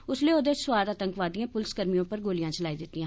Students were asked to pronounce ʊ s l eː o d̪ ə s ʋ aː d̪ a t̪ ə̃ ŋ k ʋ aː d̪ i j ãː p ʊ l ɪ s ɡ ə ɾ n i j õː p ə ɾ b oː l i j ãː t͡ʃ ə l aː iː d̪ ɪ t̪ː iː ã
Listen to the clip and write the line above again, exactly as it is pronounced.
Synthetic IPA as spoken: ʊ s l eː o d̪ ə s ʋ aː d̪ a t̪ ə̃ ŋ k ʋ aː d̪ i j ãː p ʊ l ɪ s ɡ ə ɾ m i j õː p ə ɾ ɡ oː l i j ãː t͡ʃ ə l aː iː d̪ ɪ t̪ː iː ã